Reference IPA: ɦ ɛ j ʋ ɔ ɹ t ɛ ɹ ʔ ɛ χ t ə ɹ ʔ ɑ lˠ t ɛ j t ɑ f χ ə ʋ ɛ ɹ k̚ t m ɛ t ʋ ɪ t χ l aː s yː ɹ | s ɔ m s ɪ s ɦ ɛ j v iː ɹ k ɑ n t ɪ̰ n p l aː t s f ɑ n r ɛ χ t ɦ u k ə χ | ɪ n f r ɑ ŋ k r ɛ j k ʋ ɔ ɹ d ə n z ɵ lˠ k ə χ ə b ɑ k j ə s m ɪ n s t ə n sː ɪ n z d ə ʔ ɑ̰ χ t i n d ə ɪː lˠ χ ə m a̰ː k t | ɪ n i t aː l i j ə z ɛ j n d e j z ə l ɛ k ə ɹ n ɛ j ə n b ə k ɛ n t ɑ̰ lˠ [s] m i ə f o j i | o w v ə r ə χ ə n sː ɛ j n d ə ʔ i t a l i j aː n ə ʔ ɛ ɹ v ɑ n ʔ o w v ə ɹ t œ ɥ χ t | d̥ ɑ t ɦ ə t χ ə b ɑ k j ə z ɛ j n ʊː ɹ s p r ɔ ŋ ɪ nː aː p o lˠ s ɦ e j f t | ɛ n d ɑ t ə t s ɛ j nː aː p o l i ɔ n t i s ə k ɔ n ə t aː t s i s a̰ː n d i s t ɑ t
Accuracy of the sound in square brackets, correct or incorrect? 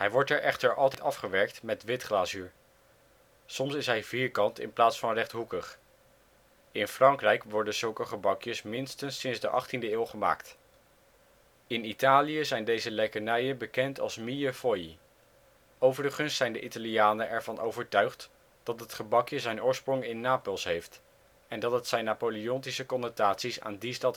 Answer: correct